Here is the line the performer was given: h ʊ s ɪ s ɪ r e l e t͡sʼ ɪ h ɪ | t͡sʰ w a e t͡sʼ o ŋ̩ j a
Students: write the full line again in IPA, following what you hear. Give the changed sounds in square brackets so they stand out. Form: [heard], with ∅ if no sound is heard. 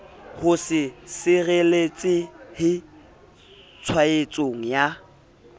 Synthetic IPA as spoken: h ʊ s ɪ s ɪ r e l e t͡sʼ ɪ h ɪ | t͡sʰ w a e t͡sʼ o ŋ̩ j a